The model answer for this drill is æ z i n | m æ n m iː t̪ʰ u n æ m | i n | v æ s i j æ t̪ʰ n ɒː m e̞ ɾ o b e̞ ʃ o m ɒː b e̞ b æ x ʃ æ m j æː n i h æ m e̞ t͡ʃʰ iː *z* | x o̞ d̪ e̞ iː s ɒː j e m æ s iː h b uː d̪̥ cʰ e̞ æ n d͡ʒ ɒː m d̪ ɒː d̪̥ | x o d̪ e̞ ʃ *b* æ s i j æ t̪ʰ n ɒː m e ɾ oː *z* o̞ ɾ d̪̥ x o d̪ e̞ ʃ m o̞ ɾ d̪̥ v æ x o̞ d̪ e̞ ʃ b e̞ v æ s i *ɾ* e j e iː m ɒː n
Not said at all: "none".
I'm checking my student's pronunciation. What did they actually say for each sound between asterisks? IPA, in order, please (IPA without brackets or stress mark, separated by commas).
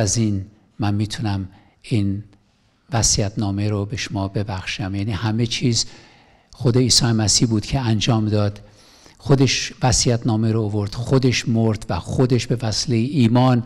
z, v, v, l